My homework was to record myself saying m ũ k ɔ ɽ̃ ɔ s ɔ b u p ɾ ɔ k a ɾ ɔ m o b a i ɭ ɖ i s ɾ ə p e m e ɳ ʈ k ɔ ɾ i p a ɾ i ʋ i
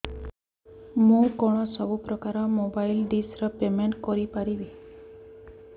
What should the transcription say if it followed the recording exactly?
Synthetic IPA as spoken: m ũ k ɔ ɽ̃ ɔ s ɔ b u p ɾ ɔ k a ɾ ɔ m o b a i l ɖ i s ɾ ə p e m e ɳ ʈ k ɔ ɾ i p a ɾ i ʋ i